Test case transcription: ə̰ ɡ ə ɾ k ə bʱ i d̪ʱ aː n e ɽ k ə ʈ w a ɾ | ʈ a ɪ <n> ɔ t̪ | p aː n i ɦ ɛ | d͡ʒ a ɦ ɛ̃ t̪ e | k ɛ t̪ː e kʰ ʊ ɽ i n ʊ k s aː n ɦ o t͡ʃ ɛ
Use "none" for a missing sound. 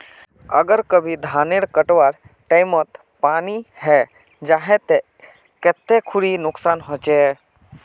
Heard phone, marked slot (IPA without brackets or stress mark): m